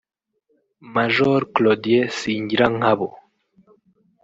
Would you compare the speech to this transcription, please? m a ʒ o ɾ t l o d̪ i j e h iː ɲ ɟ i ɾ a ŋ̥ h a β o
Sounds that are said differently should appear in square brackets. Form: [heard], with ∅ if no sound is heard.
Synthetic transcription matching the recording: m a ʒ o ɾ [k] l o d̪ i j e [s] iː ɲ ɟ i ɾ a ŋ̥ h a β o